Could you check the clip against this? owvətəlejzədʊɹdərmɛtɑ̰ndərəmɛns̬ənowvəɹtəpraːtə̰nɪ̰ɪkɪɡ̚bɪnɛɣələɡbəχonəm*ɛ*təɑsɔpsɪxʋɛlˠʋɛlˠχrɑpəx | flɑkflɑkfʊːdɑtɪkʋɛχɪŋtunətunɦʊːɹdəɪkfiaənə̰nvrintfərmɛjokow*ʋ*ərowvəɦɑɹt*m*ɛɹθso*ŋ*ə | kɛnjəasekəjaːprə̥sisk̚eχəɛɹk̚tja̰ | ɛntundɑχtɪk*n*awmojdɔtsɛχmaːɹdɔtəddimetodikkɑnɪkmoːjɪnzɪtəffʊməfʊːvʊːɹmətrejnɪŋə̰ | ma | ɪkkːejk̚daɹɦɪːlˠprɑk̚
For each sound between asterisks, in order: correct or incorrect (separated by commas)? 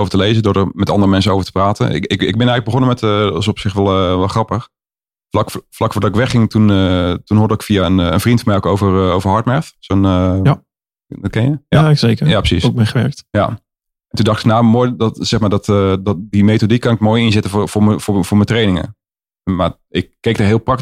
correct, incorrect, correct, incorrect, correct